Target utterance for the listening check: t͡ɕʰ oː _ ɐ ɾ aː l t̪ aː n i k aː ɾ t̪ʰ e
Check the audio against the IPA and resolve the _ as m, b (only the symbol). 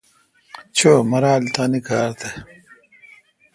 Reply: m